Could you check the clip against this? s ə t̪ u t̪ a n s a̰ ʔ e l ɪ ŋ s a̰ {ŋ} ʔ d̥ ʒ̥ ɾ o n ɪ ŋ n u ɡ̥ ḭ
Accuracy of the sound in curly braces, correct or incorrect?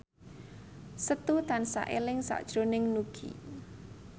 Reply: incorrect